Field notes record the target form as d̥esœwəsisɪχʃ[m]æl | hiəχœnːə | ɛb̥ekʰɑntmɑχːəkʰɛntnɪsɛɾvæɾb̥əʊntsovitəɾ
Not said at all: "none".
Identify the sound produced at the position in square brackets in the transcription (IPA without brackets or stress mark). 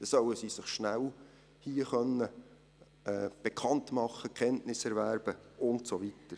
n